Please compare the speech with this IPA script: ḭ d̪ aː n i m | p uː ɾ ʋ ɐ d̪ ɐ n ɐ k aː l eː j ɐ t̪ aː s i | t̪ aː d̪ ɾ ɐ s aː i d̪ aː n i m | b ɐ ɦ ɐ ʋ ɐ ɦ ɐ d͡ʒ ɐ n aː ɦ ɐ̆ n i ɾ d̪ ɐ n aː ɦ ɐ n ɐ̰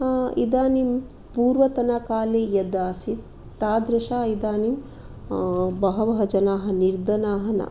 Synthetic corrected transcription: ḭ d̪ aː n i m | p uː ɾ ʋ ɐ t̪ ɐ n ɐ k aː l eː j ɐ d̪ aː s i | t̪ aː d̪ ɾ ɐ ʃ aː i d̪ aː n i m | b ɐ ɦ ɐ ʋ ɐ ɦ ɐ d͡ʒ ɐ n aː ɦ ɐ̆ n i ɾ d̪ ɐ n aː ɦ ɐ n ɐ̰